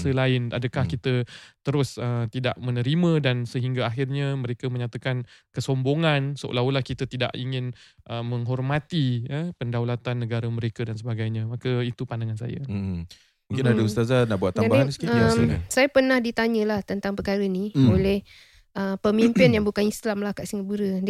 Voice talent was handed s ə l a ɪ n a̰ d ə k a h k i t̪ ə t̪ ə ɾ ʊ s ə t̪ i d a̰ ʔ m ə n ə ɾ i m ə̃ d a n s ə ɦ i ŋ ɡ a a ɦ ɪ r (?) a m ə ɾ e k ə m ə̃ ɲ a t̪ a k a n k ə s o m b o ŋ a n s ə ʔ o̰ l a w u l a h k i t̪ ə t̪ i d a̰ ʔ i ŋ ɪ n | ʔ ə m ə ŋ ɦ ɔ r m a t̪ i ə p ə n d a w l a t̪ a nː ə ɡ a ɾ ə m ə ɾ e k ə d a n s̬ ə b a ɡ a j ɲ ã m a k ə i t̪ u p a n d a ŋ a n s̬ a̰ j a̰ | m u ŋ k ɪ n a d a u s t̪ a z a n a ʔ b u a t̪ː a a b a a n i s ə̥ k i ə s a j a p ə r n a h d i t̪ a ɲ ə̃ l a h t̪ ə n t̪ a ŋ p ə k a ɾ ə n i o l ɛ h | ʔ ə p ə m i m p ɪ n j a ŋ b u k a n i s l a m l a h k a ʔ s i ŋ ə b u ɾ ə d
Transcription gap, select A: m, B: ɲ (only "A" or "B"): B